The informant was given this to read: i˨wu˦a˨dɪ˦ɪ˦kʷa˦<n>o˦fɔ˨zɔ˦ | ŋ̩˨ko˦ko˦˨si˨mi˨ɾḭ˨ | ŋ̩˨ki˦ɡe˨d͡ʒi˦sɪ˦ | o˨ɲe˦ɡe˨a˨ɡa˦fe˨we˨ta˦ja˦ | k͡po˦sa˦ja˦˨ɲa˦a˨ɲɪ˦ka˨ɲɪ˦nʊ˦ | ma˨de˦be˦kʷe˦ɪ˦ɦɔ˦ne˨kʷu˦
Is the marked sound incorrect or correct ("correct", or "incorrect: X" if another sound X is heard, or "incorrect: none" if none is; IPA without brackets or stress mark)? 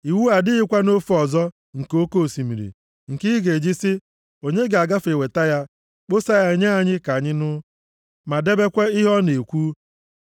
correct